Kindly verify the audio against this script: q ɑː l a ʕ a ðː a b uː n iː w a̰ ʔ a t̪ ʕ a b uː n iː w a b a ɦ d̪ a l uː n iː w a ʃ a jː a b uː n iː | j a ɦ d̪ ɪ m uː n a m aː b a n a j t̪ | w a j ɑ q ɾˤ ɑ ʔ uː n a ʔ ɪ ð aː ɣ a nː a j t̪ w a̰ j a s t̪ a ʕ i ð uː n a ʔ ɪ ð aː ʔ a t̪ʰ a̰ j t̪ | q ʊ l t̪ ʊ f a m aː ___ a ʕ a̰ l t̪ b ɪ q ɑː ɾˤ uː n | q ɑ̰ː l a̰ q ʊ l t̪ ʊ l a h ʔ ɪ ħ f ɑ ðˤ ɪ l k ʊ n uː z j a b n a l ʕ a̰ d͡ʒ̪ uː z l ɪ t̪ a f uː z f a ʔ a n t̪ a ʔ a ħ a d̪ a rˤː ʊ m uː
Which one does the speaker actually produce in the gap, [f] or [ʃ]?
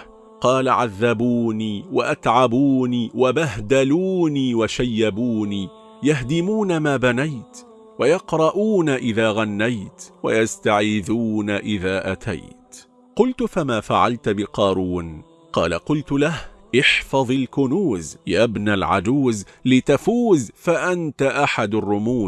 f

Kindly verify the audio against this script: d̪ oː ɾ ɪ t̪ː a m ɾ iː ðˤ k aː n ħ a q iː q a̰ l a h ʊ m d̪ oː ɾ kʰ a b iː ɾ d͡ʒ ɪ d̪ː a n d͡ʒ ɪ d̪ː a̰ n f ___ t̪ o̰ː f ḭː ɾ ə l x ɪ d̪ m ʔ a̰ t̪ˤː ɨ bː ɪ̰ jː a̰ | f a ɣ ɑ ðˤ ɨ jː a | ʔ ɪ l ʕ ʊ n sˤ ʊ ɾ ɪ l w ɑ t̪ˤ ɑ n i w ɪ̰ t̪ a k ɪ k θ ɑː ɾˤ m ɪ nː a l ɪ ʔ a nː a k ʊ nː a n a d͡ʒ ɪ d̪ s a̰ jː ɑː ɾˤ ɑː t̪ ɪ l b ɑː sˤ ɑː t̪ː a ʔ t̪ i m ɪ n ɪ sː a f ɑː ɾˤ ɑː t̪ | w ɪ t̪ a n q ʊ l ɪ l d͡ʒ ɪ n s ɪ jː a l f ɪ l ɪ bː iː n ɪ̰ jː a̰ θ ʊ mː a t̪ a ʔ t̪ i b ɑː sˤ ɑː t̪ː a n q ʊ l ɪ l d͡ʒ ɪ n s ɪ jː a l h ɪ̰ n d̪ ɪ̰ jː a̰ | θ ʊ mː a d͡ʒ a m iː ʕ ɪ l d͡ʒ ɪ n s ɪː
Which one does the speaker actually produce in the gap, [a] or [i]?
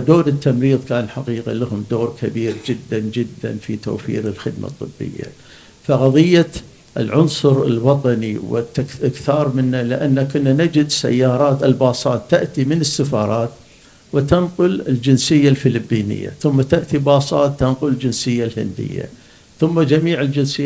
i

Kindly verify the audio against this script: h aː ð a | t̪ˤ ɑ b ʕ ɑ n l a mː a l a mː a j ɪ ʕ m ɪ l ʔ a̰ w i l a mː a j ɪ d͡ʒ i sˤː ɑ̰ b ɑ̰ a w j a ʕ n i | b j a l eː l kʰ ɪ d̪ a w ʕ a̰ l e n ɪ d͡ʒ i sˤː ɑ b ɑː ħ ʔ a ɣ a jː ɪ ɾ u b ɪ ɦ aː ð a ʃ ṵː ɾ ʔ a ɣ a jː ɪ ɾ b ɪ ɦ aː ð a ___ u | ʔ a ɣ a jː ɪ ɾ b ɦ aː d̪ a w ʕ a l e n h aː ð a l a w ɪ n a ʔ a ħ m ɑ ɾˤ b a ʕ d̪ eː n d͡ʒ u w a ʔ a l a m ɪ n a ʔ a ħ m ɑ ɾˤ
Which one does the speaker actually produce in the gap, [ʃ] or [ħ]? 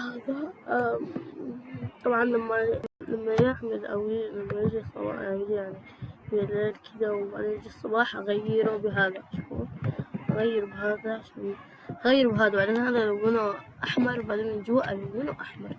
ʃ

